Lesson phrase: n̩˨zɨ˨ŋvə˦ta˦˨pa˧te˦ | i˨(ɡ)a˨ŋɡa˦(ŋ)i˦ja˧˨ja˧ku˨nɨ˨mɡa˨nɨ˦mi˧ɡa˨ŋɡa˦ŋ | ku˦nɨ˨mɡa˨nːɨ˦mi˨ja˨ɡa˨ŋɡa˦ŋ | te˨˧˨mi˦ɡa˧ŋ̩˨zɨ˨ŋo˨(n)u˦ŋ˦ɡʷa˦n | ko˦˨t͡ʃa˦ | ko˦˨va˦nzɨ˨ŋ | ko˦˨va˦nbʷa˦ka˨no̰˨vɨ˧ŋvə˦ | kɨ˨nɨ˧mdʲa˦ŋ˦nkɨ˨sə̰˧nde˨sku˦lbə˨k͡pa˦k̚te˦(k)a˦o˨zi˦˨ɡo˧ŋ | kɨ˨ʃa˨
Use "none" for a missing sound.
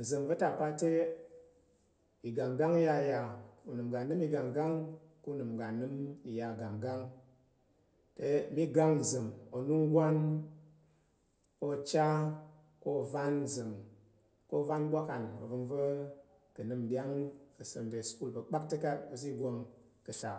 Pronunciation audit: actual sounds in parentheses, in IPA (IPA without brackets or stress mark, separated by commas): ɡ, ŋ, n, k